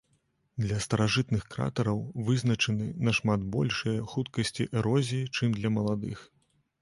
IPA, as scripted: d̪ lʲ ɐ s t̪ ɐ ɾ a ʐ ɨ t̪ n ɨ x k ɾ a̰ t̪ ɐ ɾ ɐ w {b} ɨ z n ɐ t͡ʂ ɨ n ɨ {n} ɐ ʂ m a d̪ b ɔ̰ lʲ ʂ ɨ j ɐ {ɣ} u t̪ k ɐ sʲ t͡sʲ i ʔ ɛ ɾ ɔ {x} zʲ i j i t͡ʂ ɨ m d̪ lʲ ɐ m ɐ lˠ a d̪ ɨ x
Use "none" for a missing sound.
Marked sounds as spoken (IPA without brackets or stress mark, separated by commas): v, n, x, none